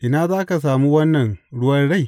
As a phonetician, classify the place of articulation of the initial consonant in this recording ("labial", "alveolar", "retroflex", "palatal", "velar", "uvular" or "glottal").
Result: glottal